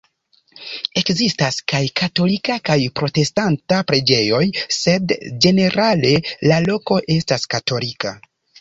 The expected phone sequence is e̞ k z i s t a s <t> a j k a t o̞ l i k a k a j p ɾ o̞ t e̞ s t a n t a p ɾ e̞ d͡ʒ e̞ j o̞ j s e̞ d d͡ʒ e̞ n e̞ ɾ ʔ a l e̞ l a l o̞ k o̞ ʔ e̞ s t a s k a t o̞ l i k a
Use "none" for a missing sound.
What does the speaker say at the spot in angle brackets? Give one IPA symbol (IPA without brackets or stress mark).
k